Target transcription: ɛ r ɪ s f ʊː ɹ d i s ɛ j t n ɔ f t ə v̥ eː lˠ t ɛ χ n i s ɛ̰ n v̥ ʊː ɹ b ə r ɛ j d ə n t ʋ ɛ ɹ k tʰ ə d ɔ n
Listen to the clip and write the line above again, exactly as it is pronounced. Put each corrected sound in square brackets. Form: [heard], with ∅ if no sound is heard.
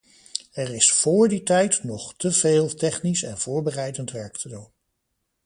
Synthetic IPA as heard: ɛ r ɪ s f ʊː ɹ d i [t] ɛ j t n ɔ [χ] t ə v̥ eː lˠ t ɛ χ n i s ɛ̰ n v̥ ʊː ɹ b ə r ɛ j d ə n t ʋ ɛ ɹ k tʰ ə d [u] n